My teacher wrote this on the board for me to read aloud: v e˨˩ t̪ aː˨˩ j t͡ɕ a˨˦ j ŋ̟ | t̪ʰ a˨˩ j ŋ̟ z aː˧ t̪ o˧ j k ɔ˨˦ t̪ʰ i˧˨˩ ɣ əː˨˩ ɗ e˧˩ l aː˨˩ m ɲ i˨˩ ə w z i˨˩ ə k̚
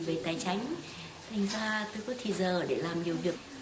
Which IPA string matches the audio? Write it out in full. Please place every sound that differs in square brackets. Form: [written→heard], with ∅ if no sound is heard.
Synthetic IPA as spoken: v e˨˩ t̪ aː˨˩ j t͡ɕ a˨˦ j ŋ̟ | t̪ʰ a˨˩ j ŋ̟ z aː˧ t̪ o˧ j k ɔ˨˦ t̪ʰ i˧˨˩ [ɣ→z] əː˨˩ ɗ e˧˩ l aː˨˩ m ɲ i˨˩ ə w [z→v] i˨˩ ə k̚